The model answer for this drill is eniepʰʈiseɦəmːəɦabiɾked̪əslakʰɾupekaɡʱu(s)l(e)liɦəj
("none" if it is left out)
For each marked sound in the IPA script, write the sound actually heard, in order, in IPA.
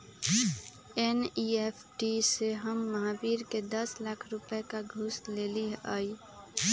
s, e

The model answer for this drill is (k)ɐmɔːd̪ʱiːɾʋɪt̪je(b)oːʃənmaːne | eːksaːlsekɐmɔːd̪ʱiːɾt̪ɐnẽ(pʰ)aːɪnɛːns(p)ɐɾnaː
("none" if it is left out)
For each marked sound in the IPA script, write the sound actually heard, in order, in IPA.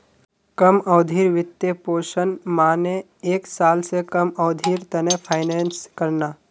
k, p, pʰ, k

